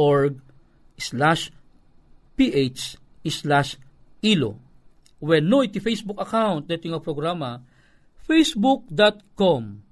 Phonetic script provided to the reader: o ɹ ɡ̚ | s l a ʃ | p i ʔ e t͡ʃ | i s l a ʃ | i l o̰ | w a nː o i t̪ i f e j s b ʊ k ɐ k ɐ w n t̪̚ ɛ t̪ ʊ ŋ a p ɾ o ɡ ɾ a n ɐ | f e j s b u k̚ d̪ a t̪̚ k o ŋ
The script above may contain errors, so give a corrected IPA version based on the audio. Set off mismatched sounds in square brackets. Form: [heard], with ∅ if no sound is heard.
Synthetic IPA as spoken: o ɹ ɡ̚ | s l a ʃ | p i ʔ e t͡ʃ | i s l a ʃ | i l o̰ | w [ɛ] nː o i t̪ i f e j s b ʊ k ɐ k [a] w n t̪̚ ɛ t̪ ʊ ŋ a p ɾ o ɡ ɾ a [m] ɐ | f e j s b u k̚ d̪ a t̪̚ k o [m]